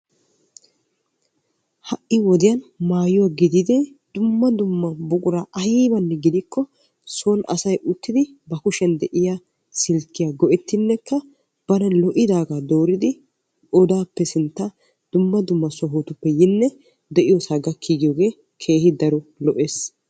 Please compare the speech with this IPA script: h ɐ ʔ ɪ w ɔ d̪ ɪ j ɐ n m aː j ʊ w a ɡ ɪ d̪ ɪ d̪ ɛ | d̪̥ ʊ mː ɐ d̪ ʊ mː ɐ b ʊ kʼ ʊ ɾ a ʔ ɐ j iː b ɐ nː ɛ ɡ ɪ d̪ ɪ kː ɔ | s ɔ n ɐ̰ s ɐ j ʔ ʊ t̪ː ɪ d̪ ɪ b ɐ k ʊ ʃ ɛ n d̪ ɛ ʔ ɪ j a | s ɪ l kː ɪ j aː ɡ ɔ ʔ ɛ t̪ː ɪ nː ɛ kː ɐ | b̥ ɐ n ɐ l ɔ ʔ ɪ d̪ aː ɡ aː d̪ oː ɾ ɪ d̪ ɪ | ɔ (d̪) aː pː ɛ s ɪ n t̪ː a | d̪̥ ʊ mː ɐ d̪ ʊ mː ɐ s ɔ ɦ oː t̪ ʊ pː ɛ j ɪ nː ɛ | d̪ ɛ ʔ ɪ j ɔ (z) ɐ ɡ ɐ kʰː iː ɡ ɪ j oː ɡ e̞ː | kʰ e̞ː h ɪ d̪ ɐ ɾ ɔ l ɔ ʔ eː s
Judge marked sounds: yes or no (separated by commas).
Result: yes, no